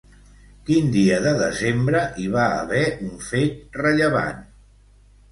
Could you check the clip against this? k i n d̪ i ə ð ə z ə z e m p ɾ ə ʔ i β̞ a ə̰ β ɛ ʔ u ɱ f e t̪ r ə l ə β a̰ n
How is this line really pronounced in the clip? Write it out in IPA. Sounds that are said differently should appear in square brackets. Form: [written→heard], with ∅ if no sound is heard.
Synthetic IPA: k i n d̪ i ə ð ə [z→ð] ə z e m [p→b] ɾ ə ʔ i β̞ a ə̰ β ɛ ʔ u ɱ f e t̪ r ə [l→ʎ] ə β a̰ n